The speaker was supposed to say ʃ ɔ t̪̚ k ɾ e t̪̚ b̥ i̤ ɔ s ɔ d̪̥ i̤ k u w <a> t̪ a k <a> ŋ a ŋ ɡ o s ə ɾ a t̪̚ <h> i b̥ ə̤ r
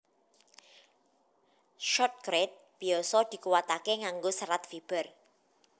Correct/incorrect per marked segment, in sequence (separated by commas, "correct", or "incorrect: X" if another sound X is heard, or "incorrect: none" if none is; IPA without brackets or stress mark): correct, incorrect: e, incorrect: f